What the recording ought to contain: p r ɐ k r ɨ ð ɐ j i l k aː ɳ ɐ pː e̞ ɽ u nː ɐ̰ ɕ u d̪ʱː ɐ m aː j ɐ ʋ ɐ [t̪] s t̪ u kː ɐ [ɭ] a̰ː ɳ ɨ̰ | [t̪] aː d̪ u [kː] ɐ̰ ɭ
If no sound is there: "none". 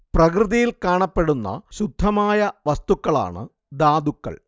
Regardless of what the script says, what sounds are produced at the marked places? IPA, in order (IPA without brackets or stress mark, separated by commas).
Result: none, ɭ, d̪, kː